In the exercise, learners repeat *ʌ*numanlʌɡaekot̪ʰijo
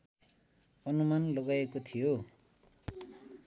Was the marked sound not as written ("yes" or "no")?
no